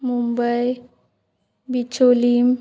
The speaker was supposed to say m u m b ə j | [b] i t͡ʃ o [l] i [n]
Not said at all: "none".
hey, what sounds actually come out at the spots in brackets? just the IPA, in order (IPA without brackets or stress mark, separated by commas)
b, l, m